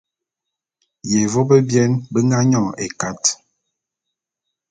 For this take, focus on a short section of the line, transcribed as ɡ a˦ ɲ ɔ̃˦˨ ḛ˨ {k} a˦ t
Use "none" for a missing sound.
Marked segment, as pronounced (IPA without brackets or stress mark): k